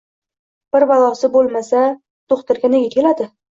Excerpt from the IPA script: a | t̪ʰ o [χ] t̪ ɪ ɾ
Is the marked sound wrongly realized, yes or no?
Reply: no